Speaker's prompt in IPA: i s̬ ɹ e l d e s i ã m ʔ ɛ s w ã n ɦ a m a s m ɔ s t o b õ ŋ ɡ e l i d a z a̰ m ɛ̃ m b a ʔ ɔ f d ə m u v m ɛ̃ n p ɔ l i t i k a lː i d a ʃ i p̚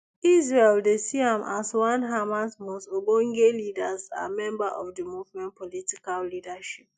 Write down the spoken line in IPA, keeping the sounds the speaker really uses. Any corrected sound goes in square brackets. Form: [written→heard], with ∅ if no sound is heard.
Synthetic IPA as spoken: i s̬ ɹ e l d e s i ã m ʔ [ɛ→a] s w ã n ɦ a m a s m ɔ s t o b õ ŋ ɡ e l i d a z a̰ m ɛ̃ m b a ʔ ɔ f d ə m u v m ɛ̃ n p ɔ l i t i k a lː i d a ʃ i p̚